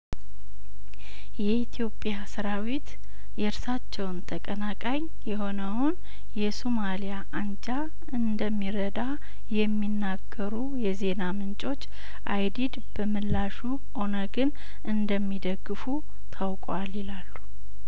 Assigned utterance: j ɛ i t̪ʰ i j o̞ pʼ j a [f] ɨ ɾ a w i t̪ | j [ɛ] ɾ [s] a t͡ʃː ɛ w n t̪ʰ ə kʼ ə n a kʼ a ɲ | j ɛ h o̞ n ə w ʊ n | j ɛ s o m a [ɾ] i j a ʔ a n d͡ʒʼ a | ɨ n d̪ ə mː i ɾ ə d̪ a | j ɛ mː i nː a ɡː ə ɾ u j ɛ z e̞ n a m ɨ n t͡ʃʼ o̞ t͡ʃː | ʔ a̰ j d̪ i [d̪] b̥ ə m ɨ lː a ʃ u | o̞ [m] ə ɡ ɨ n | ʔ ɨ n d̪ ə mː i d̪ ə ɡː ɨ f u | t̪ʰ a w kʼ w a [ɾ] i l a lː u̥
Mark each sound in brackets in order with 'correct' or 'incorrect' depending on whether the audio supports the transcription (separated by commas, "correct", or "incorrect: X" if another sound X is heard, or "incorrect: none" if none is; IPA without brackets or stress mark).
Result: incorrect: s, correct, correct, incorrect: l, correct, incorrect: n, incorrect: l